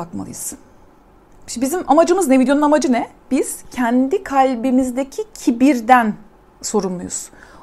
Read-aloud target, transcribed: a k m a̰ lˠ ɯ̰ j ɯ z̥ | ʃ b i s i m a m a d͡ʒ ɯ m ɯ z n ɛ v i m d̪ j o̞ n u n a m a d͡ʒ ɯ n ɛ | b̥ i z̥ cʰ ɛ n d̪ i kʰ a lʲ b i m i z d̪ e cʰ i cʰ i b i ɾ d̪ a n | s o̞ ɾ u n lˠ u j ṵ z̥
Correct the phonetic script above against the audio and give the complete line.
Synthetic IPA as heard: a k m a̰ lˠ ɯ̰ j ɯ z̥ | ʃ b i z i m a m a d͡ʒ ɯ m ɯ z n ɛ v i d̪ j o̞ n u n a m a d͡ʒ ɯ n ɛ | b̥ i z̥ cʰ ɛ n d̪ i kʰ a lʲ b i m i z d̪ e cʰ i cʰ i b i ɾ d̪ æ n | s o̞ ɾ u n lˠ u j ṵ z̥